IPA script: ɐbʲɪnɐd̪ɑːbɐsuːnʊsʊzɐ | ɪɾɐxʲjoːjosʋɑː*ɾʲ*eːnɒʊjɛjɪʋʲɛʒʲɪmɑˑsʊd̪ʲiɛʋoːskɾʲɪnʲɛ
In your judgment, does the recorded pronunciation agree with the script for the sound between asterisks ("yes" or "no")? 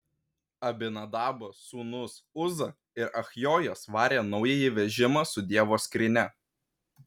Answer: yes